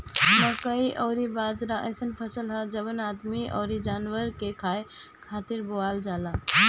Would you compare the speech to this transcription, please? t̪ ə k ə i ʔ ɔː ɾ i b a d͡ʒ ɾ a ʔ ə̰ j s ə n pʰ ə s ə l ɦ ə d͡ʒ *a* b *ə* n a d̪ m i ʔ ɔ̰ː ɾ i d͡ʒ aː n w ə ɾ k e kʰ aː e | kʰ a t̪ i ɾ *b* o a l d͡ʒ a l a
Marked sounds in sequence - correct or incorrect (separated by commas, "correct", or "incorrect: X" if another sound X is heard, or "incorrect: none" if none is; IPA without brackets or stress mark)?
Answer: incorrect: ə, correct, correct